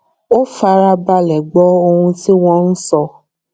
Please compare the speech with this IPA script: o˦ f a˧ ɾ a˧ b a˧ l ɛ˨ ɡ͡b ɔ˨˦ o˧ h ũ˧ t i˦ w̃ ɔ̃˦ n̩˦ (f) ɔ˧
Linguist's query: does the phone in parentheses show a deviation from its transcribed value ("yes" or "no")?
yes